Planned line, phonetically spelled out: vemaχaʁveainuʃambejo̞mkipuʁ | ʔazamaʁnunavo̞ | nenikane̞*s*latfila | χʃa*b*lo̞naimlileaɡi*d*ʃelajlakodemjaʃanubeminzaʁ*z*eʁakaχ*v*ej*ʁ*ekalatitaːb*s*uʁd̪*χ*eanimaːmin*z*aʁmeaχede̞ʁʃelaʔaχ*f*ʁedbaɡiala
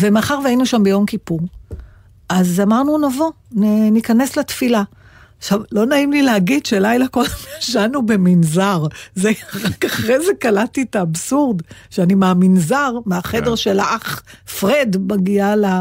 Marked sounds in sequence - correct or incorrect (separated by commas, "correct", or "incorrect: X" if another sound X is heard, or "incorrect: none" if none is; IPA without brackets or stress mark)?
correct, incorrect: v, correct, correct, incorrect: ʁ, incorrect: z, correct, incorrect: ʃ, correct, correct